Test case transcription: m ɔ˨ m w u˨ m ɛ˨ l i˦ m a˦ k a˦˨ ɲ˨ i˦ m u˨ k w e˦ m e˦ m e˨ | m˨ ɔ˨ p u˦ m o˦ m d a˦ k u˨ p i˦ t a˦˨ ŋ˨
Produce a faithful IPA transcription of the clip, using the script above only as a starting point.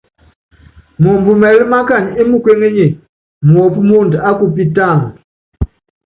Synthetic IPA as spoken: m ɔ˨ m b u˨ m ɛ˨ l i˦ m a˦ k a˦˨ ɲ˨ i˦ m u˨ k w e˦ ŋ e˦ ɲ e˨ | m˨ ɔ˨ p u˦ m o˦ n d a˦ k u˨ p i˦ t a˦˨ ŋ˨